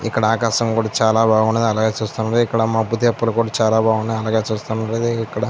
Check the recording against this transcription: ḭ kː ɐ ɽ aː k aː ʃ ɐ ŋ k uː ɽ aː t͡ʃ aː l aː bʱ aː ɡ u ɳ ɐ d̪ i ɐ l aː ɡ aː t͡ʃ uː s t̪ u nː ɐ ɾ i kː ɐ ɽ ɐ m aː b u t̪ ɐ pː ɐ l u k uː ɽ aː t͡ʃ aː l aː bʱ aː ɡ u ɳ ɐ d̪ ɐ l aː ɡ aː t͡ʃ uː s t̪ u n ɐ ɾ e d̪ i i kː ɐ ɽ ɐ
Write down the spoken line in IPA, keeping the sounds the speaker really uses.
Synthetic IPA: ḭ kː ɐ ɽ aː k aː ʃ ɐ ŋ k uː ɽ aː t͡ʃ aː l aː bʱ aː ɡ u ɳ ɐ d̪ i ɐ l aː ɡ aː t͡ʃ uː s t̪ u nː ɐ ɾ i kː ɐ ɽ ɐ m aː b u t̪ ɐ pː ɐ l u k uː ɽ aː t͡ʃ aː l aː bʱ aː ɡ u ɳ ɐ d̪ ɐ l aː ɡ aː t͡ʃ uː s t̪ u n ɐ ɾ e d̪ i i kː ɐ ɽ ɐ

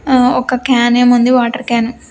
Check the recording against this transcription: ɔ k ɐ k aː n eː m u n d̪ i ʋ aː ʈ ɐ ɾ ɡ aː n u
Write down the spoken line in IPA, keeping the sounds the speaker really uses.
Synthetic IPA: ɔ k ɐ k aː n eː m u n d̪ i ʋ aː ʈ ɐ ɾ k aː n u

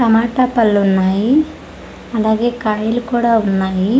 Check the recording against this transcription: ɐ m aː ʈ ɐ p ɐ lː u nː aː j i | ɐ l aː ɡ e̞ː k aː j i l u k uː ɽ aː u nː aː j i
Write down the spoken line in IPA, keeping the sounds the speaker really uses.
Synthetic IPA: ɐ m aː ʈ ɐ p ɐ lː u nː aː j i | ɐ l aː ɡ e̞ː k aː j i l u k uː ɽ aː u nː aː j i

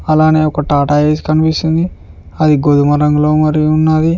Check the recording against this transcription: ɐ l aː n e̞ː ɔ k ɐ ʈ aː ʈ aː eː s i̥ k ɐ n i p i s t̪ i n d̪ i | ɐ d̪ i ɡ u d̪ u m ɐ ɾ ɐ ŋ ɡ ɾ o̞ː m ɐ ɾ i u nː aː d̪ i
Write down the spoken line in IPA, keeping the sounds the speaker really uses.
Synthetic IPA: ɐ l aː n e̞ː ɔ k ɐ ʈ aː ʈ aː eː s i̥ k ɐ n i p i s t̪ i n d̪ i | ɐ d̪ i ɡ o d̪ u m ɐ ɾ ɐ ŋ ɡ l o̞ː m ɐ ɾ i u nː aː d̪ i

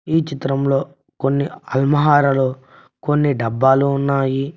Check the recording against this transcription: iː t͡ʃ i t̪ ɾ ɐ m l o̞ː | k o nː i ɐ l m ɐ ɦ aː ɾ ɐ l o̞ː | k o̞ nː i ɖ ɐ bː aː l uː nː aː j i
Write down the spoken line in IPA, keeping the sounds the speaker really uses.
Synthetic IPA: iː t͡ʃ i t̪ ɾ ɐ m l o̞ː | k o nː i ɐ l m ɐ ɦ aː ɾ ɐ l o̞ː | k o̞ nː i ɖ ɐ bː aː l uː nː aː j i

